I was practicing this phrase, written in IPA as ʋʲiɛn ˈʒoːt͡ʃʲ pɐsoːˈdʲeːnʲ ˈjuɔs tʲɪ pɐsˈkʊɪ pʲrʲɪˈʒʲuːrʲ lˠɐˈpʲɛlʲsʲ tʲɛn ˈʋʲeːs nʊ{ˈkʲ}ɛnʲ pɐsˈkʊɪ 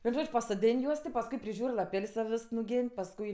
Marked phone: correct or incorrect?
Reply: incorrect